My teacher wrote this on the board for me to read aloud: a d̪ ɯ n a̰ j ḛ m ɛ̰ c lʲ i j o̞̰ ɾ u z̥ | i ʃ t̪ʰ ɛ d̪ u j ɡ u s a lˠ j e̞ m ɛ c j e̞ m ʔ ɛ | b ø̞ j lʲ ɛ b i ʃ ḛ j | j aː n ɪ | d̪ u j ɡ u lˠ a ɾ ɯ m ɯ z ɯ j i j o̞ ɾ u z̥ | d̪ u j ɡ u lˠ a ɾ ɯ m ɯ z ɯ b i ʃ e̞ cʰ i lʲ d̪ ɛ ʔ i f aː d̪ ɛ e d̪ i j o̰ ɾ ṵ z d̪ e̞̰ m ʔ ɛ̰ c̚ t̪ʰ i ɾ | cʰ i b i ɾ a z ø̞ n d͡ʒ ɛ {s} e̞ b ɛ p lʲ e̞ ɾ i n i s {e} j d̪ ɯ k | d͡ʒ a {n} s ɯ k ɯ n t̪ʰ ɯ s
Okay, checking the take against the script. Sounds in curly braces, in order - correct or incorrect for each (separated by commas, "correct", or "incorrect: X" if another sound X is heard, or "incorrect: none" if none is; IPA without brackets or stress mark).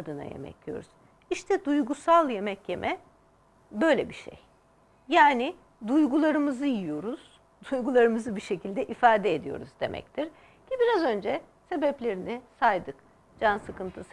correct, incorrect: a, correct